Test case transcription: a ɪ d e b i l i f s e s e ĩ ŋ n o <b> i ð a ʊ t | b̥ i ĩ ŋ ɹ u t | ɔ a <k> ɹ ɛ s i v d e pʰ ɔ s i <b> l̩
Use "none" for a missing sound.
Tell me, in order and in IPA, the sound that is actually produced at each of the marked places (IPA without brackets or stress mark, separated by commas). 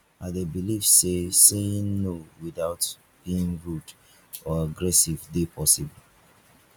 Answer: w, ɡ, b